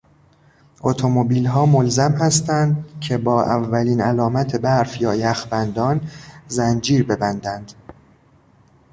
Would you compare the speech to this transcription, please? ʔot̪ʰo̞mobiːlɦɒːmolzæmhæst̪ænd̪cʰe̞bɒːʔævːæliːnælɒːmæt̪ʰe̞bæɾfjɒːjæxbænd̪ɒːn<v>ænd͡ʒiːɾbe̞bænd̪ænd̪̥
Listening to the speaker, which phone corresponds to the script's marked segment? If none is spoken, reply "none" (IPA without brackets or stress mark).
z